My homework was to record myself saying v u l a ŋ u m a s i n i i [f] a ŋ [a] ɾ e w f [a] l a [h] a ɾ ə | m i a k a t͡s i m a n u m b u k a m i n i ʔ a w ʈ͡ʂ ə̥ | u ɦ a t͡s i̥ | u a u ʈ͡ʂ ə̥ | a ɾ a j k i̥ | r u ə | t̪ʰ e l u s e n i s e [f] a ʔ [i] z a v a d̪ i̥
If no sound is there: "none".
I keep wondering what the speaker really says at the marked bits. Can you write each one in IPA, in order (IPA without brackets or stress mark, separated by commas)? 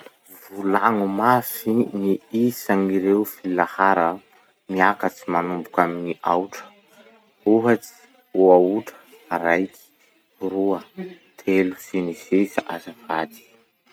s, i, i, h, s, a